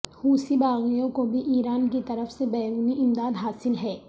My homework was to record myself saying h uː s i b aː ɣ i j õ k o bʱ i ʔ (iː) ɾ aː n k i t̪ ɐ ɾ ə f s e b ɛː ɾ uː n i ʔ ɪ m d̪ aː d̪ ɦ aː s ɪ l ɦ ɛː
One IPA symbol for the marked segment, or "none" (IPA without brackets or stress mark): iː